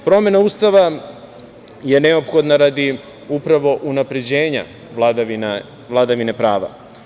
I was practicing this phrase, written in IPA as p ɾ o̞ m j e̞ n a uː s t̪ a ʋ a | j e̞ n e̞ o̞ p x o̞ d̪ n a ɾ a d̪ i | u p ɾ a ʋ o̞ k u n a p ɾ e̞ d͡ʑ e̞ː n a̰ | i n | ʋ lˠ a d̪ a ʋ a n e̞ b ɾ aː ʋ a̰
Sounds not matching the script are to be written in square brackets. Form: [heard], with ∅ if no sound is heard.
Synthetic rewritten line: p ɾ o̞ m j e̞ n a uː s t̪ a ʋ a | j e̞ n e̞ o̞ p x o̞ d̪ n a ɾ a d̪ i | u p ɾ a ʋ o̞ [ʔ] u n a p ɾ e̞ d͡ʑ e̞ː [ɲ] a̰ | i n | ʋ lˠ a d̪ a ʋ [i] n e̞ [p] ɾ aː ʋ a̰